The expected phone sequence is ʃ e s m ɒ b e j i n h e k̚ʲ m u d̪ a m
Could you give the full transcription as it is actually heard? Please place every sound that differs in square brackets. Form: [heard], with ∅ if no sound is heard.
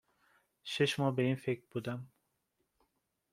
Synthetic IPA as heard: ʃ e [ʃ] m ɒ b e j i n [f] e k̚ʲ [b] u d̪ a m